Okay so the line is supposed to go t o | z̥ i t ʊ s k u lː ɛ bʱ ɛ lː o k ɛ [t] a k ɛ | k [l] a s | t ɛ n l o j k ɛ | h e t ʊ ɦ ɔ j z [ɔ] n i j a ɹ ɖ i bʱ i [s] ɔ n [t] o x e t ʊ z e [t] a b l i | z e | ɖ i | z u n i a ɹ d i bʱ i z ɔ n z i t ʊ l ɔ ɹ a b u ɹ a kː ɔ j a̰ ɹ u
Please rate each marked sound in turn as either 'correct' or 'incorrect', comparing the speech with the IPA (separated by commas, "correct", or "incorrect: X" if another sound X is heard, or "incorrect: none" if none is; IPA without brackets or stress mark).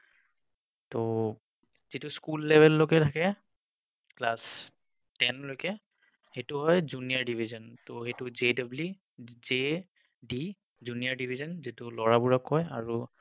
incorrect: tʰ, correct, incorrect: u, incorrect: z, correct, incorrect: d